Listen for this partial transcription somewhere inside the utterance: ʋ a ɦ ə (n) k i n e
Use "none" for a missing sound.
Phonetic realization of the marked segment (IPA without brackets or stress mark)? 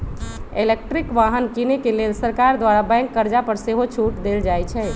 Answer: n